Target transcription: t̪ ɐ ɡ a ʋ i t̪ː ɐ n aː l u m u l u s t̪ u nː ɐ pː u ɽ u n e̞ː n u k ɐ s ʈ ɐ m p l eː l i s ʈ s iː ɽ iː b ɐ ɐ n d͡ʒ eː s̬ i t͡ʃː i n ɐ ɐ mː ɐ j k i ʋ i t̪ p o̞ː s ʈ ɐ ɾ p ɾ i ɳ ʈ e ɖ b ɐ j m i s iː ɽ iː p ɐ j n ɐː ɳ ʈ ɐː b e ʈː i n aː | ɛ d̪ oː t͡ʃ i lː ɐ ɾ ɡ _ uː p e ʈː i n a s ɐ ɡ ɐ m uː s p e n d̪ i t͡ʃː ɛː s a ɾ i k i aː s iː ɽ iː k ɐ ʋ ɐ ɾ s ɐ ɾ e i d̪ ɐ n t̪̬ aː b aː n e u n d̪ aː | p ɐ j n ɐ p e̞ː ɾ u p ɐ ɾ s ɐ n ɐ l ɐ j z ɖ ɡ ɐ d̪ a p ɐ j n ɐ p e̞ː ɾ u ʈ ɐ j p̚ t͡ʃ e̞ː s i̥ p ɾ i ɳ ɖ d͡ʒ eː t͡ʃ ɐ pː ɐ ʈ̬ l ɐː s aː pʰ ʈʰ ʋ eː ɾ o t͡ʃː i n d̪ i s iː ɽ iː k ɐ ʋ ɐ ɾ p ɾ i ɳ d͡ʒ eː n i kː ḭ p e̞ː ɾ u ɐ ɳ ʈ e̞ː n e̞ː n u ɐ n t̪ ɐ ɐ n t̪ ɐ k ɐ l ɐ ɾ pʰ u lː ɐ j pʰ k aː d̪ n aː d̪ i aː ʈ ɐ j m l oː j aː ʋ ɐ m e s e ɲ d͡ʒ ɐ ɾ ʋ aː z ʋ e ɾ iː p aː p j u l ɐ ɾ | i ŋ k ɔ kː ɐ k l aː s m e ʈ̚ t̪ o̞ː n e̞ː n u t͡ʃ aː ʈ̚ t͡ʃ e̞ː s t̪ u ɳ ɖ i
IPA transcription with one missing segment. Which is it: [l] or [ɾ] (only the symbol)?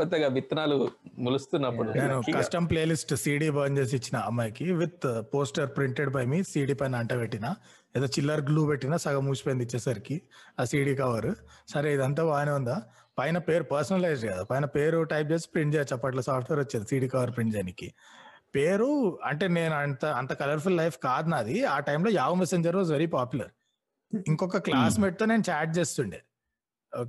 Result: l